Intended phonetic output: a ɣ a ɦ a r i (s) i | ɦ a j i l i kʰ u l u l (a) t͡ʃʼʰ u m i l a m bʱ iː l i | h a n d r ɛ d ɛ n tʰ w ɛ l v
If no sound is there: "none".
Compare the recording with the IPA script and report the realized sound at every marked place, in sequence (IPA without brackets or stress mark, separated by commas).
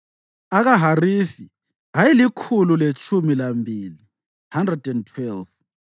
f, e